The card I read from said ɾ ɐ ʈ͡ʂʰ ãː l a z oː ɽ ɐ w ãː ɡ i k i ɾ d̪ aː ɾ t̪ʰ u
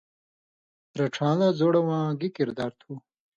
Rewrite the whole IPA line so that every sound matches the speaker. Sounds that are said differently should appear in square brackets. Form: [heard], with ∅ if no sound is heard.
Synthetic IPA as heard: ɾ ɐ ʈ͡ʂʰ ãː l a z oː ɽ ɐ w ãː ɡ i k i ɾ d̪ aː ɾ t̪ʰ u